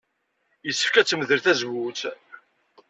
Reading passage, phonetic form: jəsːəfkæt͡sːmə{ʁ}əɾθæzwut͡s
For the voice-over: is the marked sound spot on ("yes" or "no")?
no